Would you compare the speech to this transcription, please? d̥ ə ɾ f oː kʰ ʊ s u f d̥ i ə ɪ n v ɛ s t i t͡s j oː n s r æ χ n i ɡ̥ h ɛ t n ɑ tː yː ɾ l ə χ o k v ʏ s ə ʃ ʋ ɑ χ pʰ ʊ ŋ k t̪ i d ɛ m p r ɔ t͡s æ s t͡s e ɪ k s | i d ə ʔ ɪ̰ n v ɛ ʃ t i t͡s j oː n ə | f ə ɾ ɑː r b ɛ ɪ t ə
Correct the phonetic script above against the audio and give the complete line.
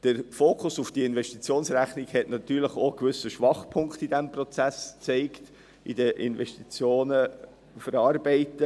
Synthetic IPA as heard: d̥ ə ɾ f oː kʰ ʊ s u f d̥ i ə ɪ n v ɛ ʃ t i t͡s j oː n s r æ χ n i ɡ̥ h ɛ t n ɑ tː yː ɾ l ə χ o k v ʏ s ə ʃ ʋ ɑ χ pʰ ʊ ŋ k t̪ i d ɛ m p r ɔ t͡s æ s t͡s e ɪ k t | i d ə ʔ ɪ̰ n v ɛ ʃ t i t͡s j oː n ə | f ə ɾ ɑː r b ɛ ɪ t ə